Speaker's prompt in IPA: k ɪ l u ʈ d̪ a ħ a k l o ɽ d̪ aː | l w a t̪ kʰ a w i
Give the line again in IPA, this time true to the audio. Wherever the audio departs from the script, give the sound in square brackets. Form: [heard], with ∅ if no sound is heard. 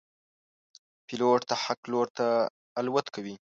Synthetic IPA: [p] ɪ l [o] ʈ [t̪] a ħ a k l o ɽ [t̪] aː | l w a t̪ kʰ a w i